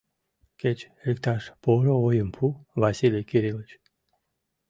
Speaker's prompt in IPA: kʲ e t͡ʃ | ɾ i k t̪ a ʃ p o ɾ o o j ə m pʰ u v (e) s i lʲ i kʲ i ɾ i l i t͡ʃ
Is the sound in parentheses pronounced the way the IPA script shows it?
no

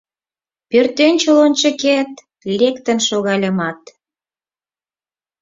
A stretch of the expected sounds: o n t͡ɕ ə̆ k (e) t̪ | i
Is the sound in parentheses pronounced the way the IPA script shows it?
yes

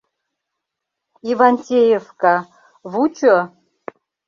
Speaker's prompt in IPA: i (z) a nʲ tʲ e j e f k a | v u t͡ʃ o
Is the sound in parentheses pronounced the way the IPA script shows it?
no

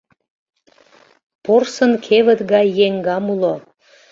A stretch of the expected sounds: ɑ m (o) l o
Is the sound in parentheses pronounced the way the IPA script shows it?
no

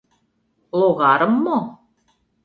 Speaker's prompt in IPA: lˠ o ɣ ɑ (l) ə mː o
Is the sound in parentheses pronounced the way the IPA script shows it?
no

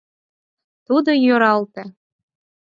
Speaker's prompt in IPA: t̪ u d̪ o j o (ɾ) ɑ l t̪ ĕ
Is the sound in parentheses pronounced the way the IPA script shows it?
yes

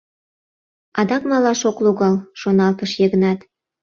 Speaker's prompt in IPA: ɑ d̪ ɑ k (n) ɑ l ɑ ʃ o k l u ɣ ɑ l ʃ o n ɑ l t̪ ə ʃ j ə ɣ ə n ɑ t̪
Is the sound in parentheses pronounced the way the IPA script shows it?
no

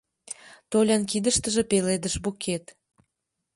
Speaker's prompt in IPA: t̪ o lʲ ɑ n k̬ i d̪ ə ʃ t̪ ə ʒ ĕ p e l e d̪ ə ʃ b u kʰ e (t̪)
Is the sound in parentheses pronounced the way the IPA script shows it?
yes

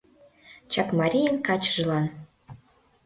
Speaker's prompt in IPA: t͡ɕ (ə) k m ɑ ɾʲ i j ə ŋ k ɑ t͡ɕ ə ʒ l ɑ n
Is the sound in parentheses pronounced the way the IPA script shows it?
no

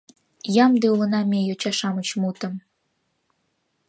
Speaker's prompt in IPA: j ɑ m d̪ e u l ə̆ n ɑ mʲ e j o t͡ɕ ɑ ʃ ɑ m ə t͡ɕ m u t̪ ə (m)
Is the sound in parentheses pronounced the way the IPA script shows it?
yes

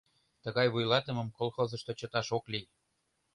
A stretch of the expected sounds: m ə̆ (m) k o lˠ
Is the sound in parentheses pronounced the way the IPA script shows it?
yes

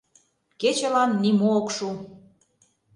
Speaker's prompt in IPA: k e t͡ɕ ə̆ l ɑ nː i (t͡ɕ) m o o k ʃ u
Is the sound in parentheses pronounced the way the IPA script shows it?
no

